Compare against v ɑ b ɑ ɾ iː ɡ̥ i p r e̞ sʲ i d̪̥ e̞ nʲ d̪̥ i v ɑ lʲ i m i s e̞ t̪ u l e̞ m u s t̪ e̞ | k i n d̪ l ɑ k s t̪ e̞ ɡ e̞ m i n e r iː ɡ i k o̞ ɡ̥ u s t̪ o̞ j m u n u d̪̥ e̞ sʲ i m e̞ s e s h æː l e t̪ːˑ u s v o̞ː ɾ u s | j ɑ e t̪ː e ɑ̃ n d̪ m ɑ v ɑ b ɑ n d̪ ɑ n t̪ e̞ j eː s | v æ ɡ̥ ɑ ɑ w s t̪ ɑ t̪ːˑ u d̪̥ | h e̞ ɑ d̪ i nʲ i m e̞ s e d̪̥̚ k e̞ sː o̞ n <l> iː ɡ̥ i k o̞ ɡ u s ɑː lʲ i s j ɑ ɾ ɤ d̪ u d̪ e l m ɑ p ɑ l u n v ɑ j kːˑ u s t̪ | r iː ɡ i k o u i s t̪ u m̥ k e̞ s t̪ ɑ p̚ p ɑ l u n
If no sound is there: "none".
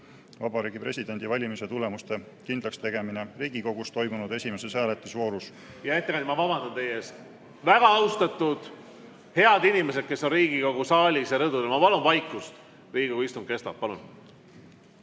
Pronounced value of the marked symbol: r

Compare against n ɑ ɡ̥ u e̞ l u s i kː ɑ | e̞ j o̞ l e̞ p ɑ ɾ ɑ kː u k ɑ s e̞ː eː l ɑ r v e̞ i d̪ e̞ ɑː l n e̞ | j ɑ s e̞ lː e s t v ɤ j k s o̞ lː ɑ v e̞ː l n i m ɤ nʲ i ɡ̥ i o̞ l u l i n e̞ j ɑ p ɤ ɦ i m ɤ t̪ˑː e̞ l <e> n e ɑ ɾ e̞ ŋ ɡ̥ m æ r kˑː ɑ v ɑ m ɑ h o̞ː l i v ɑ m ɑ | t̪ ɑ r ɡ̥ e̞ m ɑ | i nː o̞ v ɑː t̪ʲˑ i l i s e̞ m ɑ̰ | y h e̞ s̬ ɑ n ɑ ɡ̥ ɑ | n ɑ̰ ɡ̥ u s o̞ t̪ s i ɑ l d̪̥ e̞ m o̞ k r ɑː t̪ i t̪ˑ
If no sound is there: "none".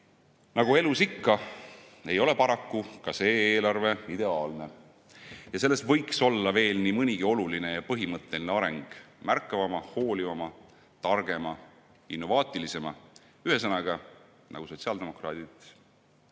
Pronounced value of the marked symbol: i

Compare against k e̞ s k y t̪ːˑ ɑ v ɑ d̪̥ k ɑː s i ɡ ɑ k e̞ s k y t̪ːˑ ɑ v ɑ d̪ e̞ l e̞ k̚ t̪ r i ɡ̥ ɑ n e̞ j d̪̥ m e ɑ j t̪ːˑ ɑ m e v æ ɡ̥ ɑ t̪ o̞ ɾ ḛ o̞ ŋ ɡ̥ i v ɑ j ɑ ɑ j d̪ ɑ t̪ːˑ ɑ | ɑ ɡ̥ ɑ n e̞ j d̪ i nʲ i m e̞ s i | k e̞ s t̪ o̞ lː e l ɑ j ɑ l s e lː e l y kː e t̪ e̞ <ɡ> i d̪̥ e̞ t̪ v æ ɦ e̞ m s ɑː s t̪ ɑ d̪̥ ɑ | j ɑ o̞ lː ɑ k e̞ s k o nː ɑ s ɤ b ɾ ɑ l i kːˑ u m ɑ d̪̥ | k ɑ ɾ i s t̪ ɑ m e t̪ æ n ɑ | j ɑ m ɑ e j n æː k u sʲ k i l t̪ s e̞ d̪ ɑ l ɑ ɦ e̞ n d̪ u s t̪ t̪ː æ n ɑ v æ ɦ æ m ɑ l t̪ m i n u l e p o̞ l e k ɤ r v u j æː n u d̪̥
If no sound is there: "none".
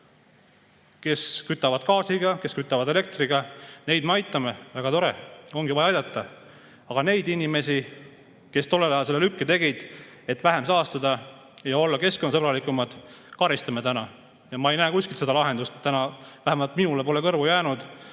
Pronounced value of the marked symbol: ɡ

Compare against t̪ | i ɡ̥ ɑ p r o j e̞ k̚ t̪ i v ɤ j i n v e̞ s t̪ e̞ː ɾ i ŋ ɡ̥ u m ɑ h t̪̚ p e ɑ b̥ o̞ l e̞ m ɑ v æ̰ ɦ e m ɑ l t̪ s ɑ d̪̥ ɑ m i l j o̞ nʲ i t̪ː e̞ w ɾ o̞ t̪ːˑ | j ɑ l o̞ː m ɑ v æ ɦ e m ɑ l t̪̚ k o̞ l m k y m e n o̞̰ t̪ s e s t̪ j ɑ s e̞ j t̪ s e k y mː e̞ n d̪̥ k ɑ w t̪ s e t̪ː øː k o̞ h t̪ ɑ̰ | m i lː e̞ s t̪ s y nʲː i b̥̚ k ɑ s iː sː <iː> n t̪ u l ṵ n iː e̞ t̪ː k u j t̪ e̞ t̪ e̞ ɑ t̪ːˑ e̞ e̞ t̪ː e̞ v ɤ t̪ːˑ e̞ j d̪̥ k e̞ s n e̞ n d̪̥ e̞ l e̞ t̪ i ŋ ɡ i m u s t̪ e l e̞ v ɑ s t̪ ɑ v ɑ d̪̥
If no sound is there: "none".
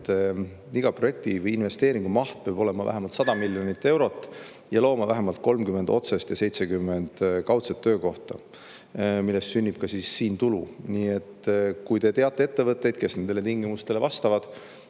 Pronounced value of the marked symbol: iː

